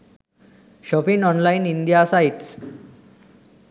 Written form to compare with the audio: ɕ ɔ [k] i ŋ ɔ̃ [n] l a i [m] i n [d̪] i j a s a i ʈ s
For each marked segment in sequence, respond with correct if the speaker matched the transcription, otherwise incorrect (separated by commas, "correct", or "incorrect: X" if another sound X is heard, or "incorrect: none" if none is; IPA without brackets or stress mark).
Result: incorrect: p, correct, incorrect: n, correct